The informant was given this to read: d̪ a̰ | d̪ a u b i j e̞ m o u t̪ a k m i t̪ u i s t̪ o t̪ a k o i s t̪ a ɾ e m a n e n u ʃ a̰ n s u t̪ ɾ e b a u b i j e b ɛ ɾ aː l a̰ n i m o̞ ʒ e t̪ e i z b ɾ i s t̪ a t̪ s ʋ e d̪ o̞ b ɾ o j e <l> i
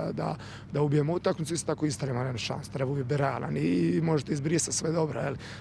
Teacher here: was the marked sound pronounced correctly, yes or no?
yes